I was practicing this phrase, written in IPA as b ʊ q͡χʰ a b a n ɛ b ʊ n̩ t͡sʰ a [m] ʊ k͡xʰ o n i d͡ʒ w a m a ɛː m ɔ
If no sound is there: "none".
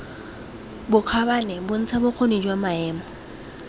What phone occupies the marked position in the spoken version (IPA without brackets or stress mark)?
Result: b